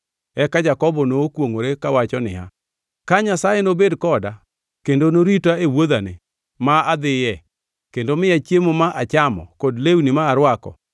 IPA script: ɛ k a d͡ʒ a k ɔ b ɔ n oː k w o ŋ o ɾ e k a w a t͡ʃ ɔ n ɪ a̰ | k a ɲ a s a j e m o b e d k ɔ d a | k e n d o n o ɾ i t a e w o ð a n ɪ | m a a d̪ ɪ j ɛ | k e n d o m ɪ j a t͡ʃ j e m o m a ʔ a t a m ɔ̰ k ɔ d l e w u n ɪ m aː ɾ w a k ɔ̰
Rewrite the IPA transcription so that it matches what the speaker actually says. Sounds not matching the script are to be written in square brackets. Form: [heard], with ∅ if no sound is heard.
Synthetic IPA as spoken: ɛ k a d͡ʒ a k ɔ b ɔ n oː k w o ŋ o ɾ e k a w a t͡ʃ ɔ n ɪ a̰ | k a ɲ a s a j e [n] o b e d k ɔ d a | k e n d o n o ɾ i t a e w o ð a n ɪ | m a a d̪ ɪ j ɛ | k e n d o m ɪ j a t͡ʃ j e m o m a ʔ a [t͡ʃ] a m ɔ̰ k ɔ d l e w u n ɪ m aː ɾ w a k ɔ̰

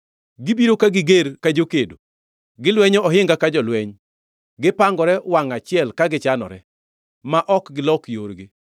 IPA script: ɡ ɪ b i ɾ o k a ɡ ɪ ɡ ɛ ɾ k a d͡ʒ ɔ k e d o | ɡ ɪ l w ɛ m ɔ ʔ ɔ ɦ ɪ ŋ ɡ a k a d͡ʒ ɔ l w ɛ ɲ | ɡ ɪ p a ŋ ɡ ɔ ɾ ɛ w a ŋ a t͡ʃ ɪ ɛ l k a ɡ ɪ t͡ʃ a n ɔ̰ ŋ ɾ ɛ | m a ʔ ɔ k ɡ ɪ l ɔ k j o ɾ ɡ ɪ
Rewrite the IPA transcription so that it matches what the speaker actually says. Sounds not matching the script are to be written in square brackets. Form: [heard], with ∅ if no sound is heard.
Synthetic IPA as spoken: ɡ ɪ b i ɾ o k a ɡ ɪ ɡ [e] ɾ k a d͡ʒ [o] k e d o | ɡ ɪ l w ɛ [ɲ] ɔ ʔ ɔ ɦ ɪ ŋ ɡ a k a d͡ʒ ɔ l w ɛ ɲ | ɡ ɪ p a ŋ ɡ ɔ ɾ ɛ w a ŋ a t͡ʃ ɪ ɛ l k a ɡ ɪ t͡ʃ a n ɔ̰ [∅] ɾ ɛ | m a ʔ ɔ k ɡ ɪ l ɔ k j o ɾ ɡ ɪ

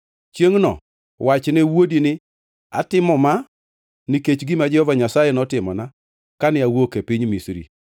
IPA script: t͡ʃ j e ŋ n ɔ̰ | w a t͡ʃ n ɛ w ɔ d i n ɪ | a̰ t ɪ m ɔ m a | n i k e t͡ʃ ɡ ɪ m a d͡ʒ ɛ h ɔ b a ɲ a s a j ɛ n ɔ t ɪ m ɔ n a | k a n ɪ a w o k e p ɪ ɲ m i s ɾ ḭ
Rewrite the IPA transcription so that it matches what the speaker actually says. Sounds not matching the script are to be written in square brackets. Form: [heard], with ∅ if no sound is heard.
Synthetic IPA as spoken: t͡ʃ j e ŋ n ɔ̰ | w a t͡ʃ n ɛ w [o] d i n ɪ | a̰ t ɪ m ɔ m a | n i k e t͡ʃ ɡ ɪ m a d͡ʒ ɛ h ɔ [v] a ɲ a s a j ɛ n ɔ t ɪ m ɔ n a | k a n ɪ a w o k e p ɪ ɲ m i s ɾ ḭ

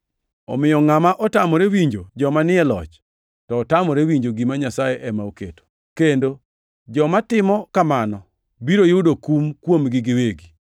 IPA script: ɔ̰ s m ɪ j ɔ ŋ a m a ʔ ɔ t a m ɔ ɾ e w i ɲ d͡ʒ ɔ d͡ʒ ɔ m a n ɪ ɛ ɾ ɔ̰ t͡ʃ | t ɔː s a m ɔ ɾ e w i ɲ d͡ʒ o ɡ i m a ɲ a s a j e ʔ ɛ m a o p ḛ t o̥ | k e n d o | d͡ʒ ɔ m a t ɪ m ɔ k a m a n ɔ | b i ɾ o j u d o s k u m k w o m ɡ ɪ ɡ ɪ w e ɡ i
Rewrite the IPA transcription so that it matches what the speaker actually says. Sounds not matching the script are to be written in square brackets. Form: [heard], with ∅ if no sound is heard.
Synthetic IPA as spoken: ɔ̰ [∅] m ɪ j ɔ ŋ a m a ʔ ɔ t a m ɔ ɾ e w i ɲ d͡ʒ [o] d͡ʒ ɔ m a n ɪ ɛ [l] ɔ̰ t͡ʃ | t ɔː [t] a m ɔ ɾ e w i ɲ d͡ʒ o ɡ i m a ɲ a s a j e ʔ ɛ m a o [k] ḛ t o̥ | k e n d o | d͡ʒ ɔ m a t ɪ m ɔ k a m a n ɔ | b i ɾ o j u d o [∅] k u m k w o m ɡ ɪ ɡ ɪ w e ɡ i

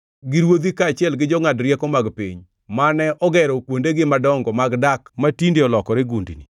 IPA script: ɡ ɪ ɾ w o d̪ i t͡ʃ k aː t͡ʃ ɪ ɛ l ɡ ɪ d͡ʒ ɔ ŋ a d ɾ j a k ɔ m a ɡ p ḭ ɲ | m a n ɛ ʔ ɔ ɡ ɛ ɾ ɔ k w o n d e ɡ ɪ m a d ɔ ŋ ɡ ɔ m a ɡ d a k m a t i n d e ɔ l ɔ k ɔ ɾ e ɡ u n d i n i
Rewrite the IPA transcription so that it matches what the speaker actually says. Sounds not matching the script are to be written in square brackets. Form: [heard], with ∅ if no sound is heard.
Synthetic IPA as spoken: ɡ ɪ ɾ w o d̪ i [∅] k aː t͡ʃ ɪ ɛ l ɡ ɪ d͡ʒ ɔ ŋ a d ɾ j [ɛ] k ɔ m a ɡ p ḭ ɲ | m a n ɛ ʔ ɔ ɡ ɛ ɾ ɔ k w o n d e ɡ ɪ m a d ɔ ŋ ɡ ɔ m a ɡ d a k m a t i n d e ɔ l ɔ k ɔ ɾ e ɡ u n d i n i

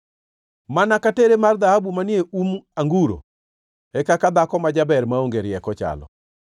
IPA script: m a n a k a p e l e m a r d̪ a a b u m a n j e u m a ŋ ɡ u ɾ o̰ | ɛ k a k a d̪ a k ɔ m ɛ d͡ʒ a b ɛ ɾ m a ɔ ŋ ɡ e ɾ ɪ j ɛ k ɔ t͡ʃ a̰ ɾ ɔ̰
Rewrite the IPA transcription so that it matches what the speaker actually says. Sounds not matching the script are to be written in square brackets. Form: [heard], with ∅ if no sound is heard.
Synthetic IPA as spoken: m a n a k a [t] e [ɾ] e m a r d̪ a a b u m a n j e u m a ŋ ɡ u ɾ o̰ | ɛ k a k a d̪ a k ɔ m [a] d͡ʒ a b ɛ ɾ m a [o] ŋ ɡ e ɾ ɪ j ɛ k ɔ t͡ʃ a̰ [l] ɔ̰

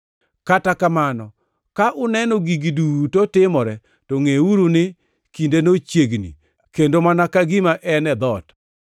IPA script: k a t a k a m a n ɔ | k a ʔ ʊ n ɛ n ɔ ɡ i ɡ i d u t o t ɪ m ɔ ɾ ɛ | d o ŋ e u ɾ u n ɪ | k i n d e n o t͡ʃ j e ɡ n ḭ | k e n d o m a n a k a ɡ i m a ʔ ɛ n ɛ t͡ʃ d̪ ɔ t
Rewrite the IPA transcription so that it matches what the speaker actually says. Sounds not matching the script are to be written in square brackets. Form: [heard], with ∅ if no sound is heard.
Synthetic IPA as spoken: k a t a k a m a n ɔ | k a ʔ ʊ n ɛ n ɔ ɡ i ɡ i d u t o t ɪ m ɔ ɾ ɛ | [t] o ŋ e u ɾ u n ɪ | k i n d e n o t͡ʃ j e ɡ n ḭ | k e n d o m a n a k a ɡ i m a ʔ ɛ n ɛ [∅] d̪ ɔ t

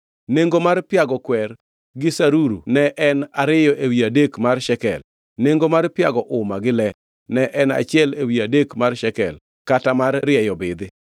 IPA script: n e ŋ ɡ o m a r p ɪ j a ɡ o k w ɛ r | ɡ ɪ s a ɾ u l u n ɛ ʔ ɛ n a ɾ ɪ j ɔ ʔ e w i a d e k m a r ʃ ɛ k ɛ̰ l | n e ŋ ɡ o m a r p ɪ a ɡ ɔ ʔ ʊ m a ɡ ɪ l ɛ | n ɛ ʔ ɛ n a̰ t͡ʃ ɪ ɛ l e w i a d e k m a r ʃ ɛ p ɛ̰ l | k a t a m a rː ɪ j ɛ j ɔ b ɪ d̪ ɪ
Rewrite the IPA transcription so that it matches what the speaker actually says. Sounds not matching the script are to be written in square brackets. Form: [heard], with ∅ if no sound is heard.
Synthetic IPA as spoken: n e ŋ ɡ o m a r p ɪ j a ɡ [ɔ] k w ɛ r | ɡ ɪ s a ɾ u [ɾ] u n ɛ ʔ ɛ n a ɾ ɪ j ɔ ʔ e w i a d e k m a r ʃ ɛ k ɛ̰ l | n e ŋ ɡ o m a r p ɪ a ɡ ɔ ʔ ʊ m a ɡ ɪ l ɛ | n ɛ ʔ ɛ n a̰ t͡ʃ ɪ ɛ l e w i a d e k m a r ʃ ɛ [k] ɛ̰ l | k a t a m a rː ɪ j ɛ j ɔ b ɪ d̪ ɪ

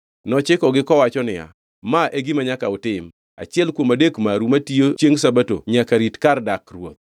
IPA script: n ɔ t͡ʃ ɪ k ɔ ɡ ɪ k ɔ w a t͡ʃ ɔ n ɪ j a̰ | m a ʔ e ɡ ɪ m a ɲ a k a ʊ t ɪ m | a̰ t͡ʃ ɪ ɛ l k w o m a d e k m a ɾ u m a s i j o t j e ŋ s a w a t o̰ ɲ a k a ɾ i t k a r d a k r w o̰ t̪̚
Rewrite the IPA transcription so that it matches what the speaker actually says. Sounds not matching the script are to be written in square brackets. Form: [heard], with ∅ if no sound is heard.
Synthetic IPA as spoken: n ɔ t͡ʃ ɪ k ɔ ɡ ɪ k ɔ w a t͡ʃ ɔ n ɪ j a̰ | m a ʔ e ɡ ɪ m a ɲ a k a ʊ t ɪ m | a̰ t͡ʃ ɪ ɛ l k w o m a d e k m a ɾ u m a [t] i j o [t͡ʃ] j e ŋ s a [b] a t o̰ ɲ a k a ɾ i t k a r d a k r w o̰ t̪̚

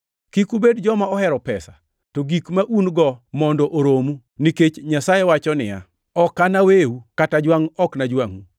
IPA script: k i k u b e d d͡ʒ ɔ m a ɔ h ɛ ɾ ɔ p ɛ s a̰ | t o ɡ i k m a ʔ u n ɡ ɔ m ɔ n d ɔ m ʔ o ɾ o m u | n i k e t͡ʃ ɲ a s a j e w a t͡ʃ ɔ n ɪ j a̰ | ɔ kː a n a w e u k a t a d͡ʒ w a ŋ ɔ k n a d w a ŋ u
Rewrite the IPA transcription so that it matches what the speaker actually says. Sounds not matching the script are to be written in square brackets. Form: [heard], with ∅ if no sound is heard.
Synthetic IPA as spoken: k i k u b e d d͡ʒ ɔ m a ɔ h ɛ ɾ ɔ p ɛ s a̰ | t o ɡ i k m a ʔ u n ɡ ɔ m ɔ n d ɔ [∅] ʔ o ɾ o m u | n i k e t͡ʃ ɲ a s a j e w a t͡ʃ ɔ n ɪ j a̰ | ɔ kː a n a w e u k a t a d͡ʒ w a ŋ ɔ k n a [d͡ʒ] w a ŋ u

